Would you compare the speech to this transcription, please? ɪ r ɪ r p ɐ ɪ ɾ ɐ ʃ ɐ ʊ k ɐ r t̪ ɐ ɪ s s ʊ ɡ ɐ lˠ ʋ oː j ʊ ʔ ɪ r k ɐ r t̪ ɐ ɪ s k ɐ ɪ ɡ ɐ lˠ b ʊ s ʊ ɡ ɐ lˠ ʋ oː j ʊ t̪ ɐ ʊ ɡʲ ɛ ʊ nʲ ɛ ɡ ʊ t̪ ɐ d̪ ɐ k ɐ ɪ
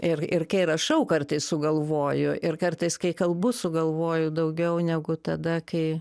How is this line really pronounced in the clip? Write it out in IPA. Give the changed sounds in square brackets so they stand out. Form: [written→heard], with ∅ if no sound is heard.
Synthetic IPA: ɪ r ɪ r [p→k] ɐ ɪ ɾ ɐ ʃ ɐ ʊ k ɐ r t̪ ɐ ɪ s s ʊ ɡ ɐ lˠ ʋ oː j ʊ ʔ ɪ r k ɐ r t̪ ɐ ɪ s k ɐ ɪ [ɡ→k] ɐ lˠ b ʊ s ʊ ɡ ɐ lˠ ʋ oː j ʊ [t̪→d̪] ɐ ʊ ɡʲ ɛ ʊ nʲ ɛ ɡ ʊ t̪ ɐ d̪ ɐ k ɐ ɪ